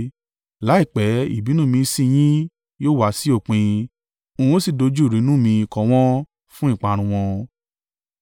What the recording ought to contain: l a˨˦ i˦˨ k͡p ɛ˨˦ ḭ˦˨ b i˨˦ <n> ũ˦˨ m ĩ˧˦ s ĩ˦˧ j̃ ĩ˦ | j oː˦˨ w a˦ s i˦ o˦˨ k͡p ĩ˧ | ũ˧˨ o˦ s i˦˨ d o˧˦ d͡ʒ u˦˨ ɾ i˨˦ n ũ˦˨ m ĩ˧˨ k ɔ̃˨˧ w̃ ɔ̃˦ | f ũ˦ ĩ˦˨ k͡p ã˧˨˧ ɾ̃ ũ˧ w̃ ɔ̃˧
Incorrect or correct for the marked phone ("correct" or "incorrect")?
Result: correct